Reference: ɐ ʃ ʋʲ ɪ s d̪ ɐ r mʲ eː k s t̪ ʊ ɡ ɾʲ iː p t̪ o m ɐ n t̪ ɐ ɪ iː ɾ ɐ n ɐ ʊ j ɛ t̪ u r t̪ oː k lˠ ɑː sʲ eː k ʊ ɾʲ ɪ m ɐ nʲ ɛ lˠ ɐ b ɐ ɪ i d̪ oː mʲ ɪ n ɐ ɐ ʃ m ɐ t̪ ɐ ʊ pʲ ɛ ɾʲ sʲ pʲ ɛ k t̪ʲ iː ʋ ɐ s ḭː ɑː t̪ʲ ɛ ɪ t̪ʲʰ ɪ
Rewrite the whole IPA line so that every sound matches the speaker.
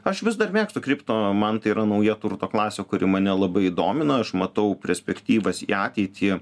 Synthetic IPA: ɐ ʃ ʋʲ ɪ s d̪ ɐ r mʲ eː k s t̪ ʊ k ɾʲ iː p t̪ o m ɐ n t̪ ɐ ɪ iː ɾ ɐ n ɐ ʊ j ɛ t̪ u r t̪ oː k lˠ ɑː sʲ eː k ʊ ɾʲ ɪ m ɐ nʲ ɛ lˠ ɐ b ɐ ɪ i d̪ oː mʲ ɪ n ɐ ɐ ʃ m ɐ t̪ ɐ ʊ pʲ ɛ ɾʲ sʲ pʲ ɛ k t̪ʲ iː ʋ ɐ s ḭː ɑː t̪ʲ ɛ ɪ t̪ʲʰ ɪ